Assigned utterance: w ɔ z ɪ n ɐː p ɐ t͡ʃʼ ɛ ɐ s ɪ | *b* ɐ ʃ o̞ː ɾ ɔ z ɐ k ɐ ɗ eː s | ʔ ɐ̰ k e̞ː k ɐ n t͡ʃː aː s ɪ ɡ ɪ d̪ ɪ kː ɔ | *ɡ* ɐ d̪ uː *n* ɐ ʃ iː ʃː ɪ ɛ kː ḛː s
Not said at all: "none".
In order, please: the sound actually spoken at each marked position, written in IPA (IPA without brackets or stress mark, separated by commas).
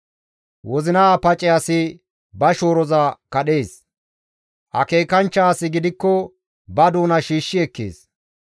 b, b, n